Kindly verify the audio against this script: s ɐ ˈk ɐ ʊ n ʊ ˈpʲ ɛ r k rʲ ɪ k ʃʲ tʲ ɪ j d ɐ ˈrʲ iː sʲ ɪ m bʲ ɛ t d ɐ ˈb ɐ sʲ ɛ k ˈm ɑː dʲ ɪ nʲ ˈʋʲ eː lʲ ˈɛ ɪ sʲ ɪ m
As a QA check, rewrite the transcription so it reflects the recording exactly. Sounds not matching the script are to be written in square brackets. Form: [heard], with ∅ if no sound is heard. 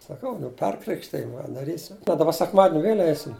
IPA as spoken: s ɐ ˈk ɐ ʊ n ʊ ˈpʲ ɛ r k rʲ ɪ k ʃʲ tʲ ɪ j d ɐ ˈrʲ iː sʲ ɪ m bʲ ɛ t d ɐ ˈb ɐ sʲ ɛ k ˈm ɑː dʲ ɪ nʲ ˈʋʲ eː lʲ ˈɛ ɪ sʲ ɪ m